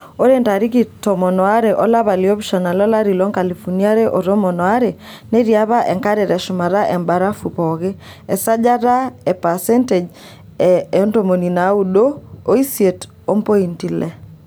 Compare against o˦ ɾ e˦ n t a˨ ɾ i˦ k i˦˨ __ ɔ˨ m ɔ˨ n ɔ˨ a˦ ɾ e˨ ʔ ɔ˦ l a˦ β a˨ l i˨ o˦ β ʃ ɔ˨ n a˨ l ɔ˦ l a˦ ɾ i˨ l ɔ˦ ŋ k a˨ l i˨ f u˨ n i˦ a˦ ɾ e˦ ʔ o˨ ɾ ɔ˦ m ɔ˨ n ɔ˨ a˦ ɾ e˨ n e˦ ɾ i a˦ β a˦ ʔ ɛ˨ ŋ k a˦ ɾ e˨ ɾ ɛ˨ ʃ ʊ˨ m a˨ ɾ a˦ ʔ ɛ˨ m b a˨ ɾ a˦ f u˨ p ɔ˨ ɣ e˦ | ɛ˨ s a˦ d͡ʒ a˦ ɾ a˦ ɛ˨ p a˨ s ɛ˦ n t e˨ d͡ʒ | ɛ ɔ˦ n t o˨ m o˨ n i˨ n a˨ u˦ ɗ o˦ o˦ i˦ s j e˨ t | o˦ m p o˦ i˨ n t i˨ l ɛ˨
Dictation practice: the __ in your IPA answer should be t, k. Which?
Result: t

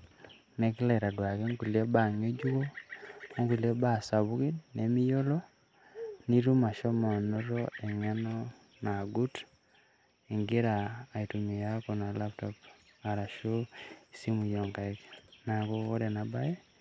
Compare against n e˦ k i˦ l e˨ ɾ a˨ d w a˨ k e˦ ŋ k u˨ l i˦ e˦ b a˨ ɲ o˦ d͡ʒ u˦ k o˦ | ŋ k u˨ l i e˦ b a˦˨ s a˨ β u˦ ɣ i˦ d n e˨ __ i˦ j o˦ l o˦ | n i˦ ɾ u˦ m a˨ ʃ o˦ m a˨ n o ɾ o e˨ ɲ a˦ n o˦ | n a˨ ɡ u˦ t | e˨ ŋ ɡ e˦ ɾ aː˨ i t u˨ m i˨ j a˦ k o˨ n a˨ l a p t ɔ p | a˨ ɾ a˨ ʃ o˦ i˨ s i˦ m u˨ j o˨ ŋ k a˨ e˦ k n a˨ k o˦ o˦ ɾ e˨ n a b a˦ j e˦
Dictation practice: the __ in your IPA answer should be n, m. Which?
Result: m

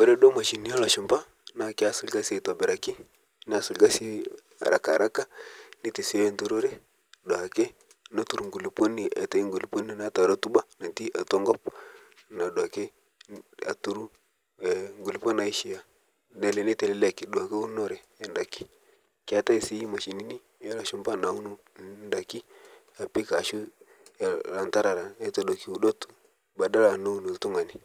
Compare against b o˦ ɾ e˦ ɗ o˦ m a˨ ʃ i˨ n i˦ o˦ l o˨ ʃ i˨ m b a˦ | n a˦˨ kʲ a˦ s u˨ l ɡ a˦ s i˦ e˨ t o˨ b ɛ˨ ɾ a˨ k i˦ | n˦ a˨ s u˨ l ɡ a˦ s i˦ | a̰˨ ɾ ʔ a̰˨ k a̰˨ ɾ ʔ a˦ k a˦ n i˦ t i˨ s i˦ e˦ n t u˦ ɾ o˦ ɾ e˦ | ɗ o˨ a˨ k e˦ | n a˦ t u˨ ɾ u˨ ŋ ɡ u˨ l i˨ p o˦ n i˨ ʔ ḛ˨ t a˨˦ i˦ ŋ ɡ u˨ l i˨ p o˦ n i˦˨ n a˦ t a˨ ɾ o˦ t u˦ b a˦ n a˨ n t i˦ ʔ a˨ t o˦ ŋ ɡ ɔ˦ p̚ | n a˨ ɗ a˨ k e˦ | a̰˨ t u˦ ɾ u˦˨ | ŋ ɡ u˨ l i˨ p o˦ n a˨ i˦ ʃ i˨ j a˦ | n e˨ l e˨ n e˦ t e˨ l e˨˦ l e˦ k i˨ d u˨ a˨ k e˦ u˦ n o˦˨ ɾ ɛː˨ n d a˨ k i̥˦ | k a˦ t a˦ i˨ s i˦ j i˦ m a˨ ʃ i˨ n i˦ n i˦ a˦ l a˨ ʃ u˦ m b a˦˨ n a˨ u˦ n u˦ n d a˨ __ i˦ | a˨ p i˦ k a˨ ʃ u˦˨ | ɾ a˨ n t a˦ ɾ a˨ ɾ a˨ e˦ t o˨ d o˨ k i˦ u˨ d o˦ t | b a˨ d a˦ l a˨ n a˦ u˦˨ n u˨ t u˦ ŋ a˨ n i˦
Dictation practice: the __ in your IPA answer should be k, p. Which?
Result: k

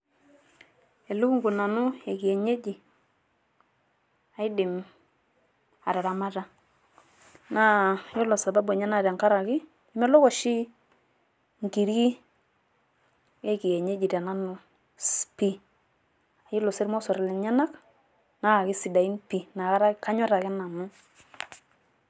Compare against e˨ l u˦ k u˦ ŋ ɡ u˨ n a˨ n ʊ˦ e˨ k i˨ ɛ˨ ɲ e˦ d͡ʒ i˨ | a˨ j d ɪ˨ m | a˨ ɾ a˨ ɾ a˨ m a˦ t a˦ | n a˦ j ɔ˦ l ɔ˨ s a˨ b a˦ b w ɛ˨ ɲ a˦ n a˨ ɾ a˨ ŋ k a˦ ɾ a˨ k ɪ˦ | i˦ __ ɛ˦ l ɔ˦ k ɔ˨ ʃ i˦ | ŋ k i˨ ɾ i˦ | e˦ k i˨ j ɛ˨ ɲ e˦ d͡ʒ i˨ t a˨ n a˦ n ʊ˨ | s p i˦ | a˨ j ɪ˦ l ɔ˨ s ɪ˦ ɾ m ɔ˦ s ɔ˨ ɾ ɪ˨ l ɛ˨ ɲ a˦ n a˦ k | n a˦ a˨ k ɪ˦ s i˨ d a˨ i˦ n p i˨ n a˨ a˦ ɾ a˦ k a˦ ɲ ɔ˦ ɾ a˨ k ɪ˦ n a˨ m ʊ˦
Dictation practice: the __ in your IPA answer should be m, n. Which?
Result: m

